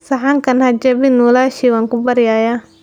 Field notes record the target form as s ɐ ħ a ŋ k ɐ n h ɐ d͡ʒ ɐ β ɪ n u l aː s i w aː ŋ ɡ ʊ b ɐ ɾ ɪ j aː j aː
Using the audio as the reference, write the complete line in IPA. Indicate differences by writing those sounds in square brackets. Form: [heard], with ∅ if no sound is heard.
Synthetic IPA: s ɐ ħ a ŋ k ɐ n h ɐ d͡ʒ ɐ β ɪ n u l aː [ʃ] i w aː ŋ [k] ʊ b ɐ ɾ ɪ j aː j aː

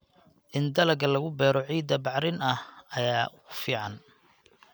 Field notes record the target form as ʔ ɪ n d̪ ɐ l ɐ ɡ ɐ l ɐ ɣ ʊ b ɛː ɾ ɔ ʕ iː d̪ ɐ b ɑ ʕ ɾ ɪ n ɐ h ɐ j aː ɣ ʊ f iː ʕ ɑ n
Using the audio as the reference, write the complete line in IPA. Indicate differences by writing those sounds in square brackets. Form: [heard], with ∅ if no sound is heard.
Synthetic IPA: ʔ ɪ n d̪ ɐ l ɐ ɡ ɐ l ɐ ɣ ʊ b ɛː ɾ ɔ ʕ iː d̪ ɐ b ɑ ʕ ɾ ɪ n ɐ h ɐ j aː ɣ ʊ f iː ʕ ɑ n

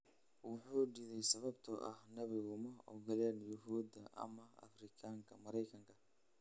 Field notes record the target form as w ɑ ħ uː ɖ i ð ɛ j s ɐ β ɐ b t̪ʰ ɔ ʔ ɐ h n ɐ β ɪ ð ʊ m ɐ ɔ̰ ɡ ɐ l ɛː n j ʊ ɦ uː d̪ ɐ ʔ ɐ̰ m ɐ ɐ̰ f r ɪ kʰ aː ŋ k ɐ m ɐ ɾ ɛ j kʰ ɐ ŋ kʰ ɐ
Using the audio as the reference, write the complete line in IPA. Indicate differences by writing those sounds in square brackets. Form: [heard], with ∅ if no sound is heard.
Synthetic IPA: w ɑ ħ uː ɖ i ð ɛ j s ɐ β ɐ b t̪ʰ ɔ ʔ ɐ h n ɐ β ɪ [ɣ] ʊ m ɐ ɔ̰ ɡ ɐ l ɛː n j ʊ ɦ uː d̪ ɐ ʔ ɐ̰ m ɐ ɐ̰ f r ɪ kʰ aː ŋ [kʰ] ɐ m ɐ ɾ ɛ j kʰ ɐ ŋ kʰ ɐ

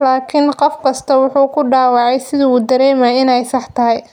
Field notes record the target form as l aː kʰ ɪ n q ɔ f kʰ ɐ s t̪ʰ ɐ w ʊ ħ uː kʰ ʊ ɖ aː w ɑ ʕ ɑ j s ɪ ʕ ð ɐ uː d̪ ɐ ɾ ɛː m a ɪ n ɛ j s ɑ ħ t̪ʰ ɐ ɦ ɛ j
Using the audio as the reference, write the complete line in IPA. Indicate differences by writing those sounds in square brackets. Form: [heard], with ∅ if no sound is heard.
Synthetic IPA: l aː kʰ ɪ n q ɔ f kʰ ɐ s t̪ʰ ɐ w ʊ ħ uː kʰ ʊ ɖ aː w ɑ ʕ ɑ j s ɪ [∅] ð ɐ uː d̪ ɐ ɾ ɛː m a ɪ n ɛ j s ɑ ħ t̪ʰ ɐ ɦ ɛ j

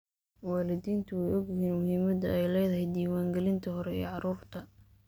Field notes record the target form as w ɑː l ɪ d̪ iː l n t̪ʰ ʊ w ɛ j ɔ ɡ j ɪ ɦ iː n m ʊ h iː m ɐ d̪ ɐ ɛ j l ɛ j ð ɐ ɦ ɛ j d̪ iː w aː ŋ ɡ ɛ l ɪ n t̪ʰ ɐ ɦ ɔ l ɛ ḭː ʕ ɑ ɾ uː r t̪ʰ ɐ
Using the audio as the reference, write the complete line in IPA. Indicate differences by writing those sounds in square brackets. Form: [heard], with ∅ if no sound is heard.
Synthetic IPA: w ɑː l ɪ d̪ iː [∅] n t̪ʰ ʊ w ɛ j ɔ ɡ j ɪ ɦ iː n m ʊ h iː m ɐ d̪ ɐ ɛ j l ɛ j ð ɐ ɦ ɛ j d̪ iː w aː ŋ ɡ ɛ l ɪ n t̪ʰ ɐ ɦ ɔ [ɾ] ɛ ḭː ʕ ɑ ɾ uː r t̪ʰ ɐ

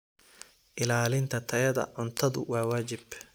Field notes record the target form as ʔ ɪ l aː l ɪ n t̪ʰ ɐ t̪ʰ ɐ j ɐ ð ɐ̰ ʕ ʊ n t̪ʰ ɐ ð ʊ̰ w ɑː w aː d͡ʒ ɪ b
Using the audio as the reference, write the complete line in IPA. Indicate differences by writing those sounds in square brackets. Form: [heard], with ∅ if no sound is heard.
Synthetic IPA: ʔ ɪ l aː l ɪ n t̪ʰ ɐ t̪ʰ ɐ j ɐ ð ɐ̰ ʕ ʊ n t̪ʰ ɐ ð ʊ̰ w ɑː w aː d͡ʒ ɪ b

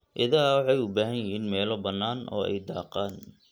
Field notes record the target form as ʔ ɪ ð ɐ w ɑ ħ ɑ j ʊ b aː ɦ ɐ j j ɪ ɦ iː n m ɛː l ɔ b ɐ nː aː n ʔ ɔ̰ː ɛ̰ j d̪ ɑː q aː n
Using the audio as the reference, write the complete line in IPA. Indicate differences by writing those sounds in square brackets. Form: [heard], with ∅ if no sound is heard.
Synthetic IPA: ʔ ɪ ð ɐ w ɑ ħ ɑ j ʊ b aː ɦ ɐ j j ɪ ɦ iː n m ɛː l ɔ b ɐ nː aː n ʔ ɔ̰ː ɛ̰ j d̪ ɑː q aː n

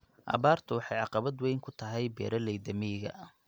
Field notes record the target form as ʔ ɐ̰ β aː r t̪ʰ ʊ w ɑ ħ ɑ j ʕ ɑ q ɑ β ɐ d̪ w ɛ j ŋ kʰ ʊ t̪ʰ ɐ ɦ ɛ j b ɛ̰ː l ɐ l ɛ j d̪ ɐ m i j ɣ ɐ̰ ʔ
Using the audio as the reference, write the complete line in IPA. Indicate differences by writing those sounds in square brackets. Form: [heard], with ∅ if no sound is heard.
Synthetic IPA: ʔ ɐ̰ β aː r t̪ʰ ʊ w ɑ ħ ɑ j ʕ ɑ q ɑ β ɐ d̪ w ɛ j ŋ kʰ ʊ t̪ʰ ɐ ɦ ɛ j b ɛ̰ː [ɾ] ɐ l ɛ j d̪ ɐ m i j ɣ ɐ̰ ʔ

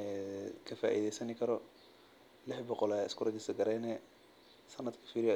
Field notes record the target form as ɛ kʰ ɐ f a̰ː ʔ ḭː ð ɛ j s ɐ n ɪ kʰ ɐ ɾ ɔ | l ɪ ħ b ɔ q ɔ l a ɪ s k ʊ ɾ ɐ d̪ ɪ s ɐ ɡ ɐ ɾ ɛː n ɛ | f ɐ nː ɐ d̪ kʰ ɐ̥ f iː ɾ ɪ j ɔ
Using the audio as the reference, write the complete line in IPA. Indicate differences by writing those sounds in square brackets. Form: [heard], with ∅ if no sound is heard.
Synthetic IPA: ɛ kʰ ɐ f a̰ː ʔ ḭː ð ɛ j s ɐ n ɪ kʰ ɐ ɾ ɔ | l ɪ ħ b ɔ q ɔ l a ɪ s k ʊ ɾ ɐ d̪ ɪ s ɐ ɡ ɐ ɾ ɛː n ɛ | [s] ɐ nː ɐ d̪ kʰ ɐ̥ f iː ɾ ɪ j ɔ

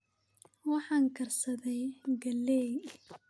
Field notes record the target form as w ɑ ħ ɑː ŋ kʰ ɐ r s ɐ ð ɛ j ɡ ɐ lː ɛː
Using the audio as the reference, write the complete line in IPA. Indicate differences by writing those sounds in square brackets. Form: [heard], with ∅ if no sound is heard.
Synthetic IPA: w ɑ ħ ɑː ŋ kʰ ɐ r s ɐ ð ɛ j ɡ ɐ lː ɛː

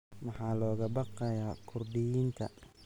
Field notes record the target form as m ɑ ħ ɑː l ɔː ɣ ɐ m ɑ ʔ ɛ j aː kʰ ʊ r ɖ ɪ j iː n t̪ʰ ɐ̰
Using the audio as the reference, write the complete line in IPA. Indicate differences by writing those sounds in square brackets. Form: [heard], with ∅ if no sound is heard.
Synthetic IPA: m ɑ ħ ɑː l ɔː ɣ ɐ [b] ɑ [q] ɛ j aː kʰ ʊ r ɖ ɪ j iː n t̪ʰ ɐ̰

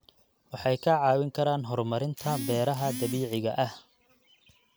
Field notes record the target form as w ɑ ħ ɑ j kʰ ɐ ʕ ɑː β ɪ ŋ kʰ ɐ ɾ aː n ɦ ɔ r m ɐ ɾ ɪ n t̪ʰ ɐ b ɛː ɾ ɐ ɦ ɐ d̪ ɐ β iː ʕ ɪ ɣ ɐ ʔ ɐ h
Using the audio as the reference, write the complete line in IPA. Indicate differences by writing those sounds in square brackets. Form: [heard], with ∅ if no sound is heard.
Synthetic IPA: w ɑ ħ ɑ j kʰ ɐ ʕ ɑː [w] ɪ ŋ kʰ ɐ ɾ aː n ɦ ɔ r m ɐ ɾ ɪ n t̪ʰ ɐ b ɛː ɾ ɐ ɦ ɐ d̪ ɐ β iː ʕ ɪ ɣ ɐ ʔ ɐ h

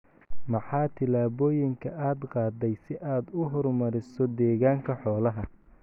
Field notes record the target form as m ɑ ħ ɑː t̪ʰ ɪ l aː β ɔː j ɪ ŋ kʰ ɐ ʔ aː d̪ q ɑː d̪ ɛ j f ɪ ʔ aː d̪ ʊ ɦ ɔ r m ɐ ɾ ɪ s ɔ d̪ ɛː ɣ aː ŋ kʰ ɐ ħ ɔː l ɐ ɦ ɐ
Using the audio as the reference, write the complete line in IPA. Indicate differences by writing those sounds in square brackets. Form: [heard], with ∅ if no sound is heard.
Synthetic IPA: m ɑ ħ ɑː t̪ʰ ɪ l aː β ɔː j ɪ ŋ kʰ ɐ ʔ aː d̪ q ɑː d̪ ɛ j [s] ɪ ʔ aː d̪ ʊ ɦ ɔ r m ɐ ɾ ɪ s ɔ d̪ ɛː ɣ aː ŋ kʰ ɐ ħ ɔː l ɐ ɦ ɐ

